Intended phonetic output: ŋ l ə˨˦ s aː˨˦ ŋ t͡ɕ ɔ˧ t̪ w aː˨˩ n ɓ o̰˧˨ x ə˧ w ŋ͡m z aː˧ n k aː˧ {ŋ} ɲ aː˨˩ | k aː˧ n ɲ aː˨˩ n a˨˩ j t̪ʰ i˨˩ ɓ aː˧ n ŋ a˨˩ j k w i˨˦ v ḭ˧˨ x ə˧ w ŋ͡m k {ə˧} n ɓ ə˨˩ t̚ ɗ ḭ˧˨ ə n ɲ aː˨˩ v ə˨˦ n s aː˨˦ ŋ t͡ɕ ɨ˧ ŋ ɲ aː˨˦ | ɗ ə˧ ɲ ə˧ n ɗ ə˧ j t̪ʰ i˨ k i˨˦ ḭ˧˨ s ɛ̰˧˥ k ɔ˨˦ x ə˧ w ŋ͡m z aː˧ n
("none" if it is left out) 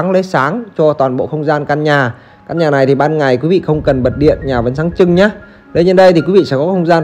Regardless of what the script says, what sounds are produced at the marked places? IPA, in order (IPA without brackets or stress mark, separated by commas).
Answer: n, ə˨˩